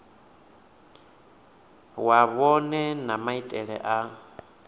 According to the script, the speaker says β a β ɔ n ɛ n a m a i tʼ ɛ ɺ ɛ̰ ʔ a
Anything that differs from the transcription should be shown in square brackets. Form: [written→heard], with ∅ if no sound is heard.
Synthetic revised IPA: [β→w] a β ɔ n ɛ n a m a i tʼ ɛ ɺ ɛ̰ ʔ a